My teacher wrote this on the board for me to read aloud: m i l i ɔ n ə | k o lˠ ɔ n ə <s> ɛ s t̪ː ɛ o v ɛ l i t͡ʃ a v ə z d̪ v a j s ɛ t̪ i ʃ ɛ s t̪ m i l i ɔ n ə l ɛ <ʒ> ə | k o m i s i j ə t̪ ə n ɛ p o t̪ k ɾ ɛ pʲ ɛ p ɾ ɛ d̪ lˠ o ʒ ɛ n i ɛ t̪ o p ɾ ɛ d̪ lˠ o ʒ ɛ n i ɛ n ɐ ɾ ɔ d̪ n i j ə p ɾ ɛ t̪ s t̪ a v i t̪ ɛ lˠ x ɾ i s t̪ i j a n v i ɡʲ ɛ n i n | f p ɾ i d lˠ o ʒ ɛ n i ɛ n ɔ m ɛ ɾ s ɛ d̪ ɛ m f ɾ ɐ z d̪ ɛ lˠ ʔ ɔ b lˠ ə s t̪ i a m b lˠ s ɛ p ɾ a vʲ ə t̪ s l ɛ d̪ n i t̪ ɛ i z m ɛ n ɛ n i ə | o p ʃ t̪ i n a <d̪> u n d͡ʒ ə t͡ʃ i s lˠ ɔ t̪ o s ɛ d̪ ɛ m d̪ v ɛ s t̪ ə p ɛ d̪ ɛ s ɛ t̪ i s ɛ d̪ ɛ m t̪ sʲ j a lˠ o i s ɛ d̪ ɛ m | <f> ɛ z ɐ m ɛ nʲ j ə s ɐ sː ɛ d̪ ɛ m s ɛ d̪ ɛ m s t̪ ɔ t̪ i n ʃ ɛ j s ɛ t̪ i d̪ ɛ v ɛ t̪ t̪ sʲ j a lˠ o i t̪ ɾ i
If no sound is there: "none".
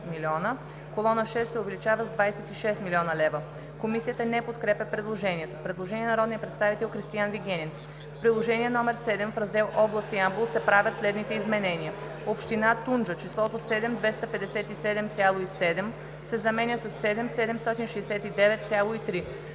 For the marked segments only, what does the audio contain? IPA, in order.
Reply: ʃ, v, t̪, s

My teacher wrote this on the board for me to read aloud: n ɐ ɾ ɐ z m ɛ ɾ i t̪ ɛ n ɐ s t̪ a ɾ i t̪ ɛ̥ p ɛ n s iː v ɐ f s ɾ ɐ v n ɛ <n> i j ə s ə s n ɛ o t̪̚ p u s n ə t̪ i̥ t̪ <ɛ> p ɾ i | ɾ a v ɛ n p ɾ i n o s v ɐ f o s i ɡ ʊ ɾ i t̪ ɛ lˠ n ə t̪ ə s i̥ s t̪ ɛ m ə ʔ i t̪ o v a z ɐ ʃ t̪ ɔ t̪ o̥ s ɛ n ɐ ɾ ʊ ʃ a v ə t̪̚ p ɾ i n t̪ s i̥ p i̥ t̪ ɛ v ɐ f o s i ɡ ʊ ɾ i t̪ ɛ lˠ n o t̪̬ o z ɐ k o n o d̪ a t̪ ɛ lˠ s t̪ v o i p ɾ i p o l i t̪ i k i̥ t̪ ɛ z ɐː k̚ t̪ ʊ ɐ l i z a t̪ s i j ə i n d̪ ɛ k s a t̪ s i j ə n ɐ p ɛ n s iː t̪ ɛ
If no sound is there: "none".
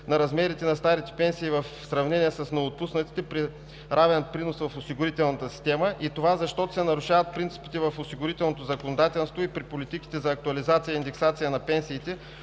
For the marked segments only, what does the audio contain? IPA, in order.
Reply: n, ɛ

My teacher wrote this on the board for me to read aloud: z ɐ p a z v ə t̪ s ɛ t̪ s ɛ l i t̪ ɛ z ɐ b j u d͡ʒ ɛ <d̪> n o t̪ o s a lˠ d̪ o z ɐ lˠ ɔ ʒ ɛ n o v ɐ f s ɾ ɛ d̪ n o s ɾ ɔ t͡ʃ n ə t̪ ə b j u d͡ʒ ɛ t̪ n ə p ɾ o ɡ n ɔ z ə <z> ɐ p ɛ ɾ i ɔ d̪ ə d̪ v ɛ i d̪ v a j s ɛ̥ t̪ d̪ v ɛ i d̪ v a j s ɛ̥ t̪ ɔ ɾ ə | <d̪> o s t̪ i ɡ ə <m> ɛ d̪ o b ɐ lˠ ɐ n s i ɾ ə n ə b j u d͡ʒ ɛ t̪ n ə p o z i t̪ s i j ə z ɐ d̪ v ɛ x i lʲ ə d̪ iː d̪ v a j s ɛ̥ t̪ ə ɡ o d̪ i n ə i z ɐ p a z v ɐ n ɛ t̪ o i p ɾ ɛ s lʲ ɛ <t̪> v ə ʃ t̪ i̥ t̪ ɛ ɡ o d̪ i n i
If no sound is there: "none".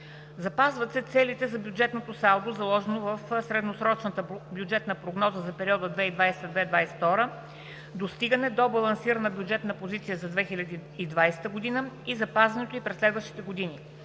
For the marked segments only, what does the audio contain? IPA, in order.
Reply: t̪, z, d̪, n, d̪

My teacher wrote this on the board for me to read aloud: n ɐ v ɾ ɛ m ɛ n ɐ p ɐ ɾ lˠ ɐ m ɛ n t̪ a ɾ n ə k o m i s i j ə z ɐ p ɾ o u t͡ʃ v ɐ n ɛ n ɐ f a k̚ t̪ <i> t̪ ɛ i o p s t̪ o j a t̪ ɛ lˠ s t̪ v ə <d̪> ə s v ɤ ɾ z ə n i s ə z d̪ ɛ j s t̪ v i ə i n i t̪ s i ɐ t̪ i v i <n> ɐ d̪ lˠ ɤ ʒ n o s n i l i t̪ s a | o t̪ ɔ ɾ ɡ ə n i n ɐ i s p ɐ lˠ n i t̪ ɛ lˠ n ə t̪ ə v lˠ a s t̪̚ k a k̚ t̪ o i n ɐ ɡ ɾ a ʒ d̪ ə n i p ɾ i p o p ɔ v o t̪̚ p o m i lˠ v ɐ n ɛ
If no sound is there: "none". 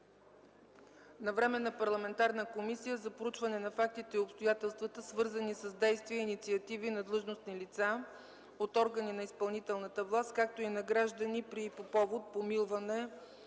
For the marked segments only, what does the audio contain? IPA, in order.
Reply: i, t̪, n

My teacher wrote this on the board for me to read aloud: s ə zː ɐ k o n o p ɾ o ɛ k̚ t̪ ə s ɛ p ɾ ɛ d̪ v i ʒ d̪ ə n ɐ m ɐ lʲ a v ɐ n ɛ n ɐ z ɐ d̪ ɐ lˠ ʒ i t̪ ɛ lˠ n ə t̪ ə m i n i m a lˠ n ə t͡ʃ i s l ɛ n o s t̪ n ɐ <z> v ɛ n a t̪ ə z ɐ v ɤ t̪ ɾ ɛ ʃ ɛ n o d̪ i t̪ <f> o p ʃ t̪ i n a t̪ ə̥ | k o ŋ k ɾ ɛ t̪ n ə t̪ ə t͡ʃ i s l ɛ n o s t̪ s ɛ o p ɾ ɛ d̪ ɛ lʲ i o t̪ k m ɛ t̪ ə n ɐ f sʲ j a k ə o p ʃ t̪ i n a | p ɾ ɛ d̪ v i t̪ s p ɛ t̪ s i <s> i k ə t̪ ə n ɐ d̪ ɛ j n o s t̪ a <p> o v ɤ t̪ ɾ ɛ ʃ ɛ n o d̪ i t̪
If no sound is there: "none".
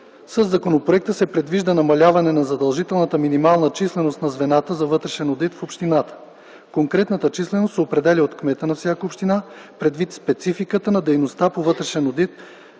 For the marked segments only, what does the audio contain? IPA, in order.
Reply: z, f, f, p

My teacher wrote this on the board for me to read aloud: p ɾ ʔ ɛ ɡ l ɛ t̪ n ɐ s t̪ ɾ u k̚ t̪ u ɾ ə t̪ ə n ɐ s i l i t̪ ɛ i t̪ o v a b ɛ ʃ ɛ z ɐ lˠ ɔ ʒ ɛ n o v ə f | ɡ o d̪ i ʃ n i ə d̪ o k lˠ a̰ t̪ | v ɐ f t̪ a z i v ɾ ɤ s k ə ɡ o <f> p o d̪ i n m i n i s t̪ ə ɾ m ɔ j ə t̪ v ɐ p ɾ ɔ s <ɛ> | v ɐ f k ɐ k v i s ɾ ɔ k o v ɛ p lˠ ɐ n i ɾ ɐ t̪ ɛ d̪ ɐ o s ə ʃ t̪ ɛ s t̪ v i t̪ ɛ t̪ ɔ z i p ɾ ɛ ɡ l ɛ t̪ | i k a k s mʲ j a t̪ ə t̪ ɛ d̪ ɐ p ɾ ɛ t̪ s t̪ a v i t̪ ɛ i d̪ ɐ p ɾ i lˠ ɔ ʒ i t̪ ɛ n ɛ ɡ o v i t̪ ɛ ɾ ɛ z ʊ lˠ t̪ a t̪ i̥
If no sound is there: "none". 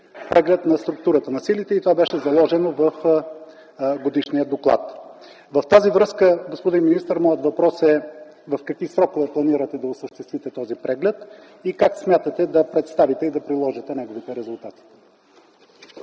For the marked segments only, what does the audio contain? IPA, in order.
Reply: s, ɛ

